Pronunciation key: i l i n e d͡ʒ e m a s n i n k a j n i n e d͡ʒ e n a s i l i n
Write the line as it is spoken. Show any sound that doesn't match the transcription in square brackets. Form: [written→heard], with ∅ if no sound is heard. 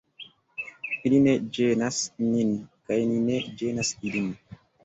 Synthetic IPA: i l i n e d͡ʒ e [m→n] a s n i n k a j n i n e d͡ʒ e n a s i l i n